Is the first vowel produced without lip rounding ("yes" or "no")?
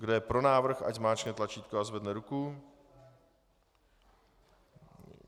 no